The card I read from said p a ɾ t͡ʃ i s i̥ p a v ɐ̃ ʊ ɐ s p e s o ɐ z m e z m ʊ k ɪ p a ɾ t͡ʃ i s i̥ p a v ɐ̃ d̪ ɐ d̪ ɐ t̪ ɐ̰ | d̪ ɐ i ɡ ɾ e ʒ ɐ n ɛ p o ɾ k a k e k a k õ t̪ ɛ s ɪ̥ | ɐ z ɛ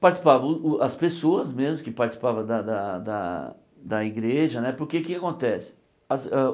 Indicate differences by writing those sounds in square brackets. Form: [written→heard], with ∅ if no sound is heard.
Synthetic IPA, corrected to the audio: p a ɾ t͡ʃ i s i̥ p a v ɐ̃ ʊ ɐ s p e s o ɐ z m e z m ʊ k ɪ p a ɾ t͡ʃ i s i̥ p a v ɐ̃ d̪ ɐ d̪ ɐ [t̪→d̪] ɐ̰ | d̪ ɐ i ɡ ɾ e ʒ ɐ n ɛ p o ɾ k [a→e] k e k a k õ t̪ ɛ s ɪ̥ | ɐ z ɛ